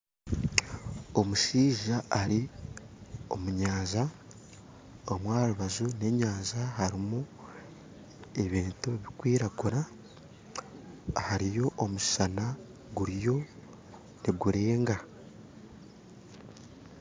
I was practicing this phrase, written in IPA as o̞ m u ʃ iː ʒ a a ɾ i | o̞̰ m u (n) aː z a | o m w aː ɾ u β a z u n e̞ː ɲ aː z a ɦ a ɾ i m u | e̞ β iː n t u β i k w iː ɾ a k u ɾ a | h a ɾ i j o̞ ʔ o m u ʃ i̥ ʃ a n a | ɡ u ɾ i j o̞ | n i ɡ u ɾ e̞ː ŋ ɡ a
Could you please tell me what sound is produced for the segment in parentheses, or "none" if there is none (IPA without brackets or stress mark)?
ɲ